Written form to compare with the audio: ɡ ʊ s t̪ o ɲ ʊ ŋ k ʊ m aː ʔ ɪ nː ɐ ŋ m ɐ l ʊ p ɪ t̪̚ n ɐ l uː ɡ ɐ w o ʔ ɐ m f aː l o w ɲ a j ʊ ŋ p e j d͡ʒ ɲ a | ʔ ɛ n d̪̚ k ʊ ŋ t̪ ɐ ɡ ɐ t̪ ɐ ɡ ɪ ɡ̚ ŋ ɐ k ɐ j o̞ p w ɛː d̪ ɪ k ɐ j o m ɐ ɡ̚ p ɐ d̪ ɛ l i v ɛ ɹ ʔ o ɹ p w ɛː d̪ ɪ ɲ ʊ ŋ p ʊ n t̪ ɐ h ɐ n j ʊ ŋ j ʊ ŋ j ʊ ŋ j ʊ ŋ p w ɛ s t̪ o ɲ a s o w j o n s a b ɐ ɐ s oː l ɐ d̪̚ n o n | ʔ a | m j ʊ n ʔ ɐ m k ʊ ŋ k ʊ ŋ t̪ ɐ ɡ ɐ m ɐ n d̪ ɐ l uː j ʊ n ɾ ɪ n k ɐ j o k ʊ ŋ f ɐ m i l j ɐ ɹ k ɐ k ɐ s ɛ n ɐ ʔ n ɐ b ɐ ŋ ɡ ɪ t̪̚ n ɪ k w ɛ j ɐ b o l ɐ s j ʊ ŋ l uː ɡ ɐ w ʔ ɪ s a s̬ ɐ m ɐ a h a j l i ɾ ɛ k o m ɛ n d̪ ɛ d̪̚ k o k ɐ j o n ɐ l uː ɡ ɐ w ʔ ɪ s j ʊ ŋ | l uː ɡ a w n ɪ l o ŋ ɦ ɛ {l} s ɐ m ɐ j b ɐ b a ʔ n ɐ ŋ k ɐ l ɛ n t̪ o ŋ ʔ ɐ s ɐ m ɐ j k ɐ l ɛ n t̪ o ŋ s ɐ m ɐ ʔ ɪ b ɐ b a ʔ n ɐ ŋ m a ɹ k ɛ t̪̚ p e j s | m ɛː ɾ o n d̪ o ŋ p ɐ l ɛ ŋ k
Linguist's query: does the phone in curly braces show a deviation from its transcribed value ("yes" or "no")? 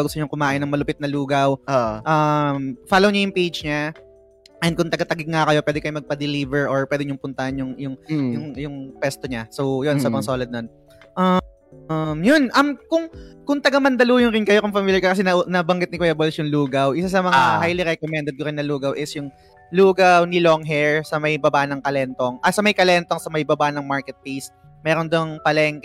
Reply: yes